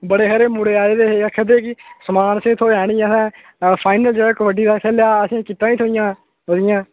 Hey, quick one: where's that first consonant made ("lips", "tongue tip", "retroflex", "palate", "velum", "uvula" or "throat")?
lips